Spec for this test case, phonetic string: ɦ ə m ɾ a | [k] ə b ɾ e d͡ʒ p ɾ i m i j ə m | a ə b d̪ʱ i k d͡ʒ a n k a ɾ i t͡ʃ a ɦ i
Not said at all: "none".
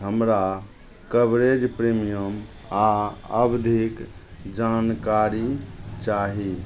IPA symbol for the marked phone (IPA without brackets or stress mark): k